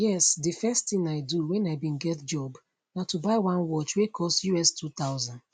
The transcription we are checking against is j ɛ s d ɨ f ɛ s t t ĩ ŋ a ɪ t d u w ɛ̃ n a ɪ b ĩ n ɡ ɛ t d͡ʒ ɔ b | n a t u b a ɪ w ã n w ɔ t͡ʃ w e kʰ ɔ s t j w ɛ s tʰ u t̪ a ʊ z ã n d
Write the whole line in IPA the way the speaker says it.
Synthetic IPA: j ɛ s d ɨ f ɛ s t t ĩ ŋ a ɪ d u w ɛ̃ n a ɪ b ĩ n ɡ ɛ t d͡ʒ ɔ b | n a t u b a ɪ w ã n w ɔ t͡ʃ w e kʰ ɔ s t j u ɛ s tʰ u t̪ a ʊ z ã n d